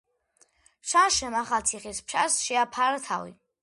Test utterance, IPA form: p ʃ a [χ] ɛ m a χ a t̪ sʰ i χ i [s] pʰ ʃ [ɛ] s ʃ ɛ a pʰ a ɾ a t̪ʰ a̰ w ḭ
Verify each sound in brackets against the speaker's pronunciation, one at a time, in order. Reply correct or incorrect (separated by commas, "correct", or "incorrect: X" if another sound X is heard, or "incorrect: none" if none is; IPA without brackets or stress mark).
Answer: incorrect: ʃ, correct, incorrect: a